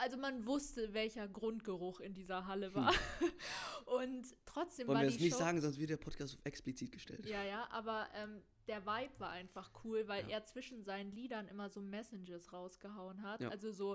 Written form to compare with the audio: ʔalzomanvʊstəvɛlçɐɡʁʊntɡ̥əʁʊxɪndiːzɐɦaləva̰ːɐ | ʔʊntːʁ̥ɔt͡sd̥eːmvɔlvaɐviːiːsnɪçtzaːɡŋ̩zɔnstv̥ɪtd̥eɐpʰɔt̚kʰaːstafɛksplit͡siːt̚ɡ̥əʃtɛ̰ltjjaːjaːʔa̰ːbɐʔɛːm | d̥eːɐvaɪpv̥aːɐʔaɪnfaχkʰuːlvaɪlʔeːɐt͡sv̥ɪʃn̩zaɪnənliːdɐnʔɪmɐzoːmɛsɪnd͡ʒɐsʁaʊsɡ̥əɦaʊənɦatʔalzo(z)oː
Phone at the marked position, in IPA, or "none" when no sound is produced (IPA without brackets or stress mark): z